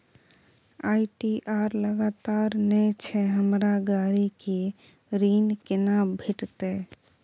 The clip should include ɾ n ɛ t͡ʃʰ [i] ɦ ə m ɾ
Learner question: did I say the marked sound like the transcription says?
no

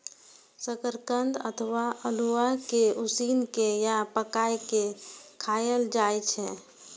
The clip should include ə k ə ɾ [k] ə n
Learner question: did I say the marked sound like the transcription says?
yes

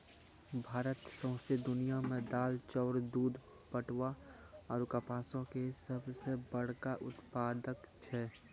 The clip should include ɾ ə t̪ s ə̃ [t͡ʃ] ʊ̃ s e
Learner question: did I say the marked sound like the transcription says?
no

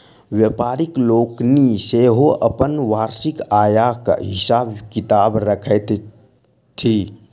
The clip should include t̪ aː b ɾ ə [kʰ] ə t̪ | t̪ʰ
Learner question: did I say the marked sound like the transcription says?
yes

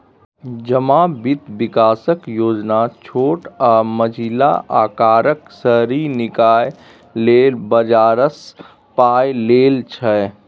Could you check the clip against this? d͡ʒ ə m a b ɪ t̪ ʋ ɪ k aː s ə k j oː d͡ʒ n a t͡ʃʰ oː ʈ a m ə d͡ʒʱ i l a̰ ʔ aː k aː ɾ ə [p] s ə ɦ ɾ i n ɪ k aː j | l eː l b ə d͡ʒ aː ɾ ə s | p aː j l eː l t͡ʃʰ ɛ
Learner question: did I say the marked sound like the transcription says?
no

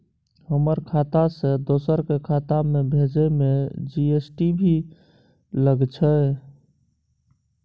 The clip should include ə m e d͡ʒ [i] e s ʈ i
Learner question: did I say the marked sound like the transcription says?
yes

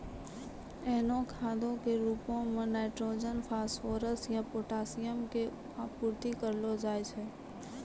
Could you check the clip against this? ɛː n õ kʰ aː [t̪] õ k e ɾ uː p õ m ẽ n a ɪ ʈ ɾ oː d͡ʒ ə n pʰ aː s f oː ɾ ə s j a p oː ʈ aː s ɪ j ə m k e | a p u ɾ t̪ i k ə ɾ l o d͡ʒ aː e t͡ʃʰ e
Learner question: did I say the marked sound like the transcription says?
no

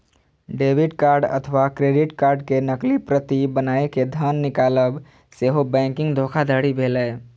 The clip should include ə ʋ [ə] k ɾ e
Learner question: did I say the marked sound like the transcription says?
no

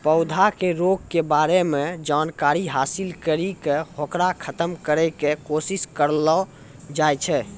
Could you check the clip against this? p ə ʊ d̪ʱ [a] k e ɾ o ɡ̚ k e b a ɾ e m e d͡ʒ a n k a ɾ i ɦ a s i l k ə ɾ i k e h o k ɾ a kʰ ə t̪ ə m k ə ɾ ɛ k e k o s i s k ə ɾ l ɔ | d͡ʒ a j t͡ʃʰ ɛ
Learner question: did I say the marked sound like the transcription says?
yes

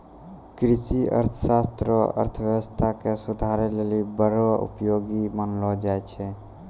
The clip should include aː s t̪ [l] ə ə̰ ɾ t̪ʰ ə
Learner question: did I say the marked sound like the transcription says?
no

